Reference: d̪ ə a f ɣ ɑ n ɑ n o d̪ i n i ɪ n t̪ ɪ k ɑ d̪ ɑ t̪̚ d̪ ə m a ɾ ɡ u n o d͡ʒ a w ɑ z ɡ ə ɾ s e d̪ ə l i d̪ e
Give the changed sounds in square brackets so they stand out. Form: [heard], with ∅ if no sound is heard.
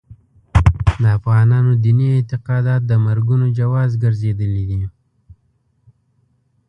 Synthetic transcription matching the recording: d̪ ə a f ɣ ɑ n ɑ n o d̪ i n i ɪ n t̪ ɪ [q] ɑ d̪ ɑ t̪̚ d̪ ə m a ɾ ɡ u n o d͡ʒ a w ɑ z ɡ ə ɾ [z] e d̪ ə l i d̪ [i]